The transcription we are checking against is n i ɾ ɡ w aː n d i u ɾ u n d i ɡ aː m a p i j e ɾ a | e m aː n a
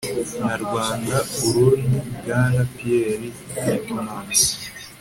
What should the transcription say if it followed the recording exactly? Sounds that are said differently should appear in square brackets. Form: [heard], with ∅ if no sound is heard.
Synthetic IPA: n [a] ɾ ɡ w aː n d [a] u ɾ u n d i ɡ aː [n] a p i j e ɾ [i] | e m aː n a